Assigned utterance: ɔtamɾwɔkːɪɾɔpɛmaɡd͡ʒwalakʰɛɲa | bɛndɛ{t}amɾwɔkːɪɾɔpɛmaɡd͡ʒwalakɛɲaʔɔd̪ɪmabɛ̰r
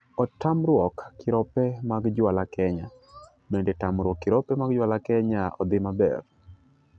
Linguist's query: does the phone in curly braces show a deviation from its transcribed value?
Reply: no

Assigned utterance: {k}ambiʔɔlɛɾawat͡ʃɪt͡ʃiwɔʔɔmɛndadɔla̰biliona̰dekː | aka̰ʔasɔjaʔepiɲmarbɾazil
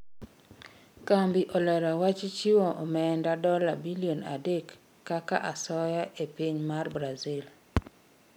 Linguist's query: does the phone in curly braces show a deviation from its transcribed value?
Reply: no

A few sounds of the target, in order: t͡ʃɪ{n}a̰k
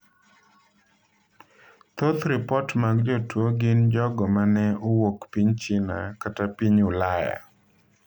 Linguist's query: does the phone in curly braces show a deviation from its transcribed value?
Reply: no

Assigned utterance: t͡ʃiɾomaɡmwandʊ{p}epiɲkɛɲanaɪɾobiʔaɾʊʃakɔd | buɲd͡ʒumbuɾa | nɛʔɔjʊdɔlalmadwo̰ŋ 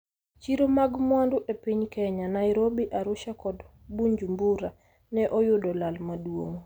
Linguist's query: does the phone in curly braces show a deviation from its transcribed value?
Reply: yes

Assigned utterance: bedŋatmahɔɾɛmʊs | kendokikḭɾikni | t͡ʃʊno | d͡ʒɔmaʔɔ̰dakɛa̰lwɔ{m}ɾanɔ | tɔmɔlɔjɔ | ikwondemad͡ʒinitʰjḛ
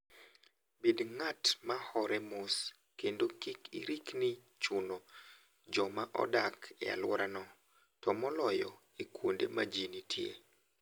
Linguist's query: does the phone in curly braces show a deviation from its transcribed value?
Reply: yes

